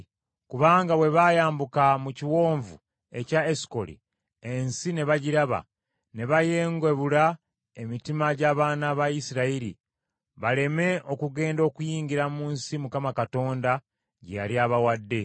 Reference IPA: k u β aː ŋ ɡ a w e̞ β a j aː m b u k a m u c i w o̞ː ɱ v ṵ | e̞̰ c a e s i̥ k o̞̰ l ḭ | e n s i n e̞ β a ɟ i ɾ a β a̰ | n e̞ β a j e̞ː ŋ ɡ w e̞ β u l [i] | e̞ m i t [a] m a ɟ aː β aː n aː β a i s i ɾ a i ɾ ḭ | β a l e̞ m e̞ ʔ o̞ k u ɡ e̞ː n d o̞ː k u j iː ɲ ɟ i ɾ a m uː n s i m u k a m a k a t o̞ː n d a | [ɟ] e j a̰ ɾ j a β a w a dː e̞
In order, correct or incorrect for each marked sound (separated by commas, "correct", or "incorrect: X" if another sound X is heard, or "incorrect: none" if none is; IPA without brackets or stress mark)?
incorrect: a, incorrect: i, correct